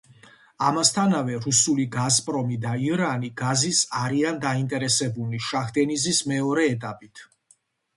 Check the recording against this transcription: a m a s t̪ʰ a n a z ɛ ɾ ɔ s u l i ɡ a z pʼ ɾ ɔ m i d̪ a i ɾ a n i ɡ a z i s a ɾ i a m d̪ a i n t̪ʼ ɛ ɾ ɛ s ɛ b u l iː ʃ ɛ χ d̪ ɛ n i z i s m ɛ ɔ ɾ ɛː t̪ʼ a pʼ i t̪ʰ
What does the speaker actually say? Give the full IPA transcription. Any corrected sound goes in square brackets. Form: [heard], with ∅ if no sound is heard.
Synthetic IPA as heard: a m a s t̪ʰ a n a [v] ɛ ɾ [u] s u l i ɡ a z pʼ ɾ ɔ m i d̪ a i ɾ a n i ɡ a z i s a ɾ i a [n] d̪ a i n t̪ʼ ɛ ɾ ɛ s ɛ b u l [i] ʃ [a] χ d̪ ɛ n i z i s m ɛ ɔ ɾ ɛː t̪ʼ a pʼ i t̪ʰ